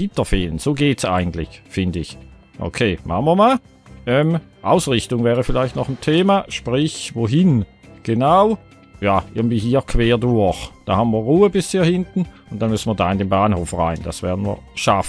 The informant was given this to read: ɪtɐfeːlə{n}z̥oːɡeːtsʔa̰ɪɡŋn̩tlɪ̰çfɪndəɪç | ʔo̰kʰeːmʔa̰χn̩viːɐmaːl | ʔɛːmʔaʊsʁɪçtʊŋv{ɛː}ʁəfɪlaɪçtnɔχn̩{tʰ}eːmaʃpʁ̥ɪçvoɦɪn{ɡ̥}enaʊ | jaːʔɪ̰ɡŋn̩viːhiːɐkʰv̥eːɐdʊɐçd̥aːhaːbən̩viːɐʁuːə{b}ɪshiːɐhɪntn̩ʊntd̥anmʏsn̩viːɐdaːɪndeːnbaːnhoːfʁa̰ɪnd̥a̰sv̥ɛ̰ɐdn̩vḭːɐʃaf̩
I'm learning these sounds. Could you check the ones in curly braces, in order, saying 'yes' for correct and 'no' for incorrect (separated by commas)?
yes, yes, yes, yes, yes